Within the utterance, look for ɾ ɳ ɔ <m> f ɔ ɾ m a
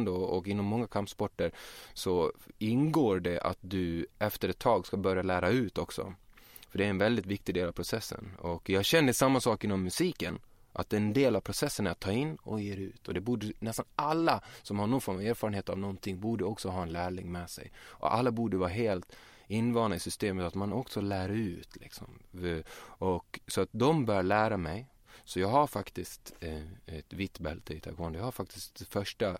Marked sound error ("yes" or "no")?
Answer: yes